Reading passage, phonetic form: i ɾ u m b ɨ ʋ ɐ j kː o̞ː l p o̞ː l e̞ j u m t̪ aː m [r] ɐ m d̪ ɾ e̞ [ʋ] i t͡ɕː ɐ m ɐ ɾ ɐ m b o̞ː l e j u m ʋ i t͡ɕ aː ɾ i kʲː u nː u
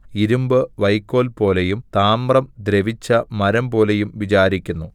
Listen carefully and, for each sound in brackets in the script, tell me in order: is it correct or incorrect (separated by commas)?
correct, correct